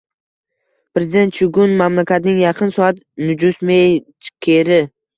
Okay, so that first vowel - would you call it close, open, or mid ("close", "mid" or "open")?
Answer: mid